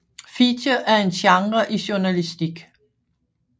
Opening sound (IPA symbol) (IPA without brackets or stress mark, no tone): f